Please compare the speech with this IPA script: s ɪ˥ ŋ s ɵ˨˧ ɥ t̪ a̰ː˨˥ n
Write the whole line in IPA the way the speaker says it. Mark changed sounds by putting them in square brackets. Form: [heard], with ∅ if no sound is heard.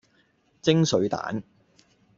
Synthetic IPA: [t͡s] ɪ˥ ŋ s ɵ˨˧ ɥ t̪ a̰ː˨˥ n